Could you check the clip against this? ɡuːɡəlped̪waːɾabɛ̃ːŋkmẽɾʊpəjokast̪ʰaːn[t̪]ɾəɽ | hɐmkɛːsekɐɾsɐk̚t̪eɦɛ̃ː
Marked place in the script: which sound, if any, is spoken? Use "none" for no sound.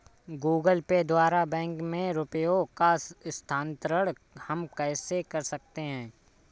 t̪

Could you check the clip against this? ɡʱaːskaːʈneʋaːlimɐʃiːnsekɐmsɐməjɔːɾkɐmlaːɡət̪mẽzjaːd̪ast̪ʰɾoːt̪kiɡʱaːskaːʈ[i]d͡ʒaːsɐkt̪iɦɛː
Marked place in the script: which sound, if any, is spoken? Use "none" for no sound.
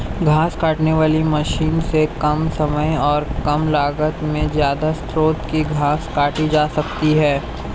i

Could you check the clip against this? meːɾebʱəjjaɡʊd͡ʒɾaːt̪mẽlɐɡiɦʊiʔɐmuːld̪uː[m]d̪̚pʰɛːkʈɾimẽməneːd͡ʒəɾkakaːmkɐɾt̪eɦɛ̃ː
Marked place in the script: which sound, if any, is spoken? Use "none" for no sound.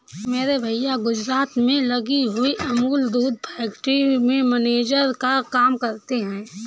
none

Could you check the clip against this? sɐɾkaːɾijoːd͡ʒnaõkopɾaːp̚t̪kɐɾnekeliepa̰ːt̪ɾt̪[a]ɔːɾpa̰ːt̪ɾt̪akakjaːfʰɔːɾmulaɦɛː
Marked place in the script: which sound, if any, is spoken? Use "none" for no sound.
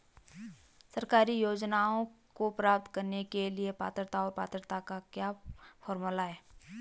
a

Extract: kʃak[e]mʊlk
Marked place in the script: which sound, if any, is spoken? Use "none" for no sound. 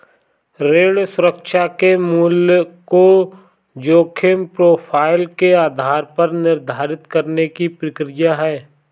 e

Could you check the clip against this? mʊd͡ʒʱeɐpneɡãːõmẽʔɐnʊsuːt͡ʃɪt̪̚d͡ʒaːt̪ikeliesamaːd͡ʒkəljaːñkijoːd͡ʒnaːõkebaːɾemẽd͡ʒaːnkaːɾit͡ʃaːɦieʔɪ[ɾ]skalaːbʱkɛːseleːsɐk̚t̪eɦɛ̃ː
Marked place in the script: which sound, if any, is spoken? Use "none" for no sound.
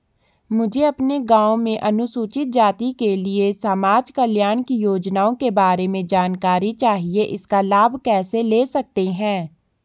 none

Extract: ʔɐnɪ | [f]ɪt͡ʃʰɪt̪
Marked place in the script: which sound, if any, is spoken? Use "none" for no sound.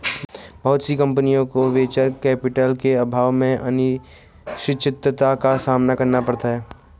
ʃ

